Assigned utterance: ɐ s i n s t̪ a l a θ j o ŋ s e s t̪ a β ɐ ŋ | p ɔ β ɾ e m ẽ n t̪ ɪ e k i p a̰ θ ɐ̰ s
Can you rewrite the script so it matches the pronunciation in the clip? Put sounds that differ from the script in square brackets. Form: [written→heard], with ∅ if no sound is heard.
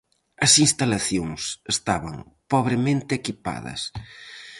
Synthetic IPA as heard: ɐ s i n s t̪ a l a θ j o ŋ s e s t̪ a β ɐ ŋ | p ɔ β ɾ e m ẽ n t̪ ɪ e k i p a̰ [θ→ð] ɐ̰ s